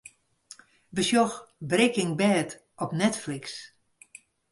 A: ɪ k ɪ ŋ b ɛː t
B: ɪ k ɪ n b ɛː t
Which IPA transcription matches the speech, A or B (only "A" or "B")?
A